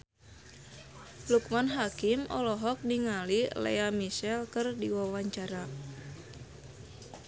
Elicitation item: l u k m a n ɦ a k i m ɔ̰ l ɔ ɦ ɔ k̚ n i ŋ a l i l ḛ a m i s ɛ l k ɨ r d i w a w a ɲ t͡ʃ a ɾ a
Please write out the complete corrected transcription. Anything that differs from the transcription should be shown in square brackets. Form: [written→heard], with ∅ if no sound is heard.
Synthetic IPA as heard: l u k m a n ɦ a k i m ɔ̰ l ɔ ɦ ɔ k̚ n i ŋ a l i l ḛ a m i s ɛ l k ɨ r d i w a w a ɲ t͡ʃ a ɾ a